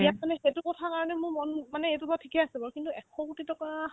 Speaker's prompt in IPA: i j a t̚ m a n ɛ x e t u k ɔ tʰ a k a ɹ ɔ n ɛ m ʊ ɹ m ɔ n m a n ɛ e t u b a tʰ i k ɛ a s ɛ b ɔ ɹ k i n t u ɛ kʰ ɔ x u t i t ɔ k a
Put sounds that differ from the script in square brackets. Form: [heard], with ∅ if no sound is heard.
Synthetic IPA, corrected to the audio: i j a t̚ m a n ɛ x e t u k ɔ tʰ a k a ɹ ɔ n ɛ m ʊ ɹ m ɔ n m a n ɛ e t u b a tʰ i k ɛ a s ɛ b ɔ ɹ k i n t u ɛ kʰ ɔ [k] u t i t ɔ k a